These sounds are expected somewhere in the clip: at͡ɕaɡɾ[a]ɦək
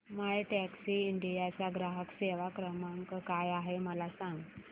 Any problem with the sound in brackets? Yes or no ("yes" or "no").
no